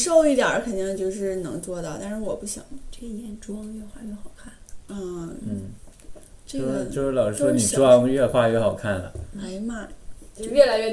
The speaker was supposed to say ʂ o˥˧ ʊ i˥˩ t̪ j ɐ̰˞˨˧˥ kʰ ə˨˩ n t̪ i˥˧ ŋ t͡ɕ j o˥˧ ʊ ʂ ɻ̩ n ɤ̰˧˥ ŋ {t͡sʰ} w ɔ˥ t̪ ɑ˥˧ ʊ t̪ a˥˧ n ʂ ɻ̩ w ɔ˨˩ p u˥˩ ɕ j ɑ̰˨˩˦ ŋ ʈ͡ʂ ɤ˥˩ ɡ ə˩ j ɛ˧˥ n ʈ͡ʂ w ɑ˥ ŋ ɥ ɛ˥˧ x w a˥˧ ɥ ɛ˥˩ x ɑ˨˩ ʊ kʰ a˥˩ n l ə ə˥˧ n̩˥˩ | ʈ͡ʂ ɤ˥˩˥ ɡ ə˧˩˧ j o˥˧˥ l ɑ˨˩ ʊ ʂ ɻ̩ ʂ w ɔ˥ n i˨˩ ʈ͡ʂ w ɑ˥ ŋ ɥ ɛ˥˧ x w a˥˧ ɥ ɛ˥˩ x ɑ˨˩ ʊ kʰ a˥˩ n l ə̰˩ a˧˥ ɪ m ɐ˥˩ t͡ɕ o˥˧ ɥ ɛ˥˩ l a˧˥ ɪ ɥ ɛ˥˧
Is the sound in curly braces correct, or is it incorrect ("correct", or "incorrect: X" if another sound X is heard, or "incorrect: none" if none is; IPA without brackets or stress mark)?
incorrect: t͡s